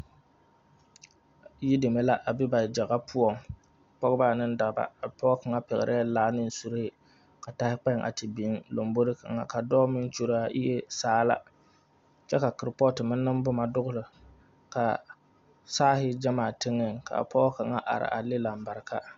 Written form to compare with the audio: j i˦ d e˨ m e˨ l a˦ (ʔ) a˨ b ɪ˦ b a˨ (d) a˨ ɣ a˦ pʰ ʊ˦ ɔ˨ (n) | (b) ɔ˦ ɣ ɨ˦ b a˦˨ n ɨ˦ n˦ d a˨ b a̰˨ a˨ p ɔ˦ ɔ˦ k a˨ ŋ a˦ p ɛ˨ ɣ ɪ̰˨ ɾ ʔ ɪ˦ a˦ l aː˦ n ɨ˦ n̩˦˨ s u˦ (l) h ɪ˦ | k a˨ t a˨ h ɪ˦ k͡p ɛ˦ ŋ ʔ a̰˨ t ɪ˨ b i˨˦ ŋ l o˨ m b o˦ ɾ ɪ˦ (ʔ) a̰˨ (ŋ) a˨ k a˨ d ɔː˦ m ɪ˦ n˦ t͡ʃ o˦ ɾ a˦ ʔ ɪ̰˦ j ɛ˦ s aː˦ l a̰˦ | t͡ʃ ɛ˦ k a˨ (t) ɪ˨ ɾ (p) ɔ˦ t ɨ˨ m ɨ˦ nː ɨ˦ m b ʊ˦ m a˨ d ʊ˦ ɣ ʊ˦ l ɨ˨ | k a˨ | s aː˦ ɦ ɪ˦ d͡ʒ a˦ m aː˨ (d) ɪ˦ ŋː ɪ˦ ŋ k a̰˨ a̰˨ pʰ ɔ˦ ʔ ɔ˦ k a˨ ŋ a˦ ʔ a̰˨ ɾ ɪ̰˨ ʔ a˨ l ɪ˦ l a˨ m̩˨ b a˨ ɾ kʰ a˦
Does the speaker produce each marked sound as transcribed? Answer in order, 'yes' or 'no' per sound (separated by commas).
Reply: yes, no, no, no, no, no, yes, no, yes, no